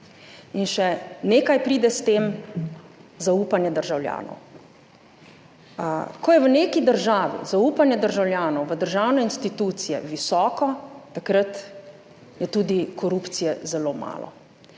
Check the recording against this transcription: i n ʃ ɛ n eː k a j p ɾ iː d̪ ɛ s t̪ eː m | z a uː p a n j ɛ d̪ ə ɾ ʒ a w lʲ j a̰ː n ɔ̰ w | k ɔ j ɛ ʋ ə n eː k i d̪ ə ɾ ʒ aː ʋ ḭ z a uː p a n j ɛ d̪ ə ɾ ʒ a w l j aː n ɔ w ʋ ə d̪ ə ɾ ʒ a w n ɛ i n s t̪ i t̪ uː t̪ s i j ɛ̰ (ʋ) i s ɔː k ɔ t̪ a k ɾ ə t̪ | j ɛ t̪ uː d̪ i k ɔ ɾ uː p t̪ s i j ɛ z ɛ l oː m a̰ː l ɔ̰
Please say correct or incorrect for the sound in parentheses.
correct